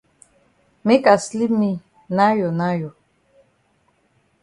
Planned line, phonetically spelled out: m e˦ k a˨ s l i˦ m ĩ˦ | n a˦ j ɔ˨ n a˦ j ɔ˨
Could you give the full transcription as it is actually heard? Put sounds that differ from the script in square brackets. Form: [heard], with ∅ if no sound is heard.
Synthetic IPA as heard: m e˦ k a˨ s l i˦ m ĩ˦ | n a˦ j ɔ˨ n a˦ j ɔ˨